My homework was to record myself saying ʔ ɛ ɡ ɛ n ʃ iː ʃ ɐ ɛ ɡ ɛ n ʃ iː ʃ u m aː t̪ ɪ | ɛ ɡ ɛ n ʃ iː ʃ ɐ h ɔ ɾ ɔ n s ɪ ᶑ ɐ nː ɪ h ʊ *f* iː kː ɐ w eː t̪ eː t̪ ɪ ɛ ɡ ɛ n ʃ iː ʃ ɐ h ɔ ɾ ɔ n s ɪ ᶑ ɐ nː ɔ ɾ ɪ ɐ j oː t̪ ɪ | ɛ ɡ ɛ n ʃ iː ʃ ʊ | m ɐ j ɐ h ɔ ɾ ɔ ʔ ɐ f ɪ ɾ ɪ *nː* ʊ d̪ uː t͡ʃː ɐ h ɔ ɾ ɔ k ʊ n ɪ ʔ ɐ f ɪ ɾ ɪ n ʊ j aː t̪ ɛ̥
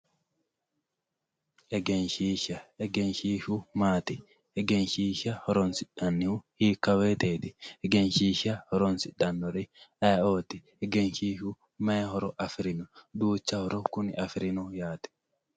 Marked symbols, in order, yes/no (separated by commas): no, no